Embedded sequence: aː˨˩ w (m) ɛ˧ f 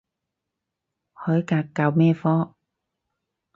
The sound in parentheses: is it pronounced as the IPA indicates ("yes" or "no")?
yes